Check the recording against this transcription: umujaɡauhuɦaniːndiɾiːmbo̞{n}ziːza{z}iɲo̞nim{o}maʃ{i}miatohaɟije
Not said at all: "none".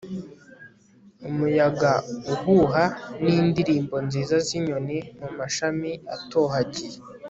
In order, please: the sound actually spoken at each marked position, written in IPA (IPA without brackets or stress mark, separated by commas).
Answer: n, z, u, a